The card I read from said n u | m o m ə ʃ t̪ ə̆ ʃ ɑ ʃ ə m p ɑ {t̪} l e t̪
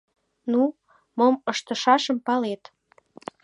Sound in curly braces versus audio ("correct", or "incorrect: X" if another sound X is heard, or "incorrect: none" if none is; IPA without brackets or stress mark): incorrect: none